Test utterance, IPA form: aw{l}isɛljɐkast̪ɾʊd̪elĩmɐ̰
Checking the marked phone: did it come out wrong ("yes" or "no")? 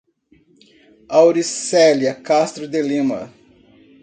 yes